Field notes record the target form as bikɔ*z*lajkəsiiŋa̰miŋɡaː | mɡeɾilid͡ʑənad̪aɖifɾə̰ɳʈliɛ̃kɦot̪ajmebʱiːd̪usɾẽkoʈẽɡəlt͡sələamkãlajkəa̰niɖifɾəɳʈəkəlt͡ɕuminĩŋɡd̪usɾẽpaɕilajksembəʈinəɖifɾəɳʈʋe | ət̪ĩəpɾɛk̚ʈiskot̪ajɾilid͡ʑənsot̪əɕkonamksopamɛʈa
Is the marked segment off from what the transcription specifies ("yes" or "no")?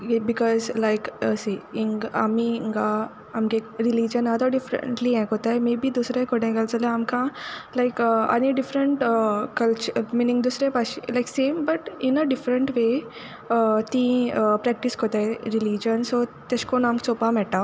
no